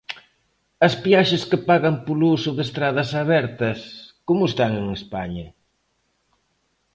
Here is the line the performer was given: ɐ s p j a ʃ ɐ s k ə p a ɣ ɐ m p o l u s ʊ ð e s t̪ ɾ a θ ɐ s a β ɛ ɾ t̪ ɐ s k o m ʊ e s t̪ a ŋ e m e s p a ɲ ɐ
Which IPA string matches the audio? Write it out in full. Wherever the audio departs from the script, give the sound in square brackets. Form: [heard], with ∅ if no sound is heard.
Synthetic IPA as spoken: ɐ s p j a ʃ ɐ s k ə p a ɣ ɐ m p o l u s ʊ ð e s t̪ ɾ a [ð] ɐ s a β ɛ ɾ t̪ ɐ s k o m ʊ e s t̪ a ŋ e [ŋ] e s p a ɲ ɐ